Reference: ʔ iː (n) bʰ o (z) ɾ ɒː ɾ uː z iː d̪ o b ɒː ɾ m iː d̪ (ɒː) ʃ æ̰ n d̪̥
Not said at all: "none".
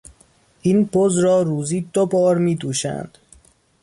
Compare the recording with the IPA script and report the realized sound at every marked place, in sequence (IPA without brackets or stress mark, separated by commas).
n, z, uː